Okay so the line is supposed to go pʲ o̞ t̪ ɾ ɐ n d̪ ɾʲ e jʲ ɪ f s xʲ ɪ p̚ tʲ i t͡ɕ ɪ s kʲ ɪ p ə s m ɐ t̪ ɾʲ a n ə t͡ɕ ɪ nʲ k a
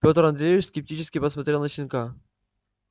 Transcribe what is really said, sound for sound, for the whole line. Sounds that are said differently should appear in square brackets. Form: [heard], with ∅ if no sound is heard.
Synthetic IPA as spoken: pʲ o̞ t̪ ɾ ɐ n d̪ ɾʲ e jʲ ɪ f s [kʲ] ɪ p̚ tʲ i t͡ɕ ɪ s kʲ ɪ p ə s m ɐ t̪ ɾʲ [e] n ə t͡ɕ ɪ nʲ k a